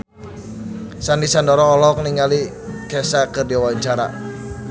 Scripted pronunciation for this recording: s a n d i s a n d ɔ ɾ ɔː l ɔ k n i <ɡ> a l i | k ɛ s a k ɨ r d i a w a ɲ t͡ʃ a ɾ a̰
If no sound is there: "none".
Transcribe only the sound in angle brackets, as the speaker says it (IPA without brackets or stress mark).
ŋ